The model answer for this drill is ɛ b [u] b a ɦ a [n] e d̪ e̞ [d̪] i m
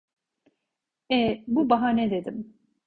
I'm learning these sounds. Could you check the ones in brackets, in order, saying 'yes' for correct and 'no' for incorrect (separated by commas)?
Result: yes, yes, yes